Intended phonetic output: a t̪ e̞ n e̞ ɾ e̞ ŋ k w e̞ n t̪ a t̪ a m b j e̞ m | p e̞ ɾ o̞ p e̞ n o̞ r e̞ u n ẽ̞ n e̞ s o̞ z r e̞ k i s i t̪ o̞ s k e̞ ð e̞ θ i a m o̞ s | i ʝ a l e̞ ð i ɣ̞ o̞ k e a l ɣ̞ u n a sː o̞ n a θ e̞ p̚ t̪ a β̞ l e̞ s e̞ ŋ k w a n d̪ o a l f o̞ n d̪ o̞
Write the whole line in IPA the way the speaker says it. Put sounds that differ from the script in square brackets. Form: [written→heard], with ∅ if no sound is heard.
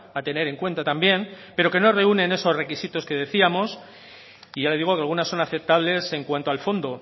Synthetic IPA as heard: a t̪ e̞ n e̞ ɾ e̞ ŋ k w e̞ n t̪ a t̪ a m b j e̞ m | p e̞ ɾ o̞ [p→k] e̞ n o̞ r e̞ u n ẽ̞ n e̞ s o̞ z r e̞ k i s i t̪ o̞ s k e̞ ð e̞ θ i a m o̞ s | i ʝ a l e̞ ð i ɣ̞ o̞ k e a l ɣ̞ u n a sː o̞ n a θ e̞ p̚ t̪ a β̞ l e̞ s e̞ ŋ k w a n [d̪→t̪] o a l f o̞ n d̪ o̞